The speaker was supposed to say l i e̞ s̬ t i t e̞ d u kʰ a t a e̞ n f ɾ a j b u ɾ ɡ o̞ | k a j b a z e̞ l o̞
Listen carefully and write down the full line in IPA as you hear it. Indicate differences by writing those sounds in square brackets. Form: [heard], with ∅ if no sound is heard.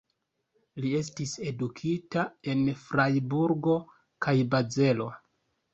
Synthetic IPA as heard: l i e̞ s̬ t i [s] e̞ d u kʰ [i] t a e̞ n f ɾ a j b u ɾ ɡ o̞ | k a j b a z e̞ l o̞